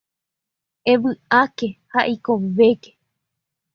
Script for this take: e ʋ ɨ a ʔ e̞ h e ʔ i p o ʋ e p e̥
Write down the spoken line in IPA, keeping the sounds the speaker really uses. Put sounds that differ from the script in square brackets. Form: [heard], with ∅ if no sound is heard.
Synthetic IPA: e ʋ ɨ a [k] e̞ h [a] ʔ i [k] o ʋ e [k] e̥